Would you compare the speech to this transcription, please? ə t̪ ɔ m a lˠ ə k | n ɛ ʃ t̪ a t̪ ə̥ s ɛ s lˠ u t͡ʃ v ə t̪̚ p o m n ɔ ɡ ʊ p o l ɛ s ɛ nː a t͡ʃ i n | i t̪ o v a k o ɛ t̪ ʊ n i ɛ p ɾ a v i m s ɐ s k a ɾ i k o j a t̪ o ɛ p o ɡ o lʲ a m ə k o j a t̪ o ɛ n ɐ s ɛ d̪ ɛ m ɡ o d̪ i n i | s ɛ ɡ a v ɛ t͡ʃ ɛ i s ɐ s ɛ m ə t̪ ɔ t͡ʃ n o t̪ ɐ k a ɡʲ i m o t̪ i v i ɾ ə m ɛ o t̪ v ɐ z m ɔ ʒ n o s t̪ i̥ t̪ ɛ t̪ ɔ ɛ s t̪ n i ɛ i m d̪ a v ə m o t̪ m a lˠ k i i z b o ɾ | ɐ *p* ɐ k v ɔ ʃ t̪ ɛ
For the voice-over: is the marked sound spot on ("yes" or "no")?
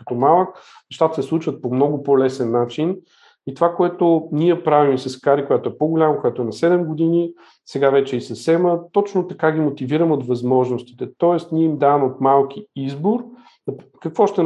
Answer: no